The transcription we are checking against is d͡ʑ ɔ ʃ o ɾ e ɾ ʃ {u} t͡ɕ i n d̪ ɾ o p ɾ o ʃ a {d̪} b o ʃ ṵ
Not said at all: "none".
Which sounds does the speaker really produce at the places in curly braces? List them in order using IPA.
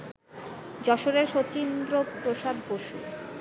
o, d̪

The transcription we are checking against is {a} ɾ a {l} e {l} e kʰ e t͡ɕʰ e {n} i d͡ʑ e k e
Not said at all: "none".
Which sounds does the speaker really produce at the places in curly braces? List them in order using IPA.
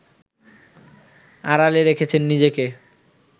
a, l, ɾ, nː

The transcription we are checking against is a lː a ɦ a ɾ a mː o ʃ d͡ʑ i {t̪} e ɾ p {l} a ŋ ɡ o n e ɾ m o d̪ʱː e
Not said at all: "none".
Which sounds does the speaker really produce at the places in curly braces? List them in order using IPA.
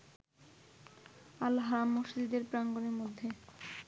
d̪, ɾ

